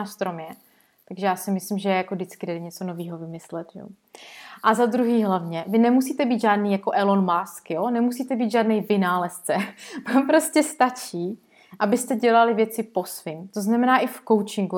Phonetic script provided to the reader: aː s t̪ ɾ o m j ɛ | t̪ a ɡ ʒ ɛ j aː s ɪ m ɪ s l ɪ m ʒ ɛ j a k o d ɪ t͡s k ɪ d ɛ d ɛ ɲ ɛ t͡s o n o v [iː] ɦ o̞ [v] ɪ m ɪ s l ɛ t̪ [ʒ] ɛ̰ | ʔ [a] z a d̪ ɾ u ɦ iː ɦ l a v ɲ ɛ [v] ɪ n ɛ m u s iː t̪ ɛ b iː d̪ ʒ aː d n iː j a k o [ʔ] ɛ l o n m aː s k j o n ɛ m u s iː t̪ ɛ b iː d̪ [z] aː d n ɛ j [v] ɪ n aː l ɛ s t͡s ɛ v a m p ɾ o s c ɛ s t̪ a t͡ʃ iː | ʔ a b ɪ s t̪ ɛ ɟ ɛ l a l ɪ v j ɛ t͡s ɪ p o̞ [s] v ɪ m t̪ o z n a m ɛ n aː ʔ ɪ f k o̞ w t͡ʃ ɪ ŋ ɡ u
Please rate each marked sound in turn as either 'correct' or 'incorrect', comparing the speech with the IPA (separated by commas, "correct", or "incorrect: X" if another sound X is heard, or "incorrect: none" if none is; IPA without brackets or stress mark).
correct, correct, correct, correct, correct, correct, incorrect: ʒ, correct, correct